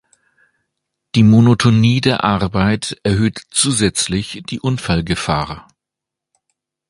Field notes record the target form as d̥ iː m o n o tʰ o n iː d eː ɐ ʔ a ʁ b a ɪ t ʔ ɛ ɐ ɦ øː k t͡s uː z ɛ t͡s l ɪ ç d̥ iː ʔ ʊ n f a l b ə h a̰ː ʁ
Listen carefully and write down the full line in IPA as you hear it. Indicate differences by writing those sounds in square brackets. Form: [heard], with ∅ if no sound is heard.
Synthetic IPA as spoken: d̥ iː m o n o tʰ o n iː d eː ɐ ʔ a ʁ b a ɪ t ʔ ɛ ɐ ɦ øː [t] t͡s uː z ɛ t͡s l ɪ ç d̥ iː ʔ ʊ n f a l [ɡ] ə [f] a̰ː ʁ